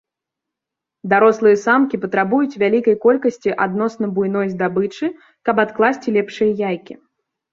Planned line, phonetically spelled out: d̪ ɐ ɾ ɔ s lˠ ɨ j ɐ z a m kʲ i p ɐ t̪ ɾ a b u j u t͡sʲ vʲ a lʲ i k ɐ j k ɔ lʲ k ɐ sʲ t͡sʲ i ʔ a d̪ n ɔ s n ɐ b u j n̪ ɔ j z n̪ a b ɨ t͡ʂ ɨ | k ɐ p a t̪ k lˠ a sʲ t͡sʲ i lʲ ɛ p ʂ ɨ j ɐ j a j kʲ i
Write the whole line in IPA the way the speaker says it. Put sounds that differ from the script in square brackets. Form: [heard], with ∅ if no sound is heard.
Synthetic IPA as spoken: d̪ [a] ɾ ɔ s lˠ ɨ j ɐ [s] a m kʲ i p ɐ t̪ ɾ a b u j u t͡sʲ vʲ a lʲ i k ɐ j k ɔ lʲ k ɐ sʲ t͡sʲ i ʔ a d̪ n ɔ s n ɐ b u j n̪ ɔ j z [d̪] a b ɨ t͡ʂ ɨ | k ɐ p a t̪ k lˠ a sʲ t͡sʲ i lʲ ɛ p ʂ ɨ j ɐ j a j kʲ i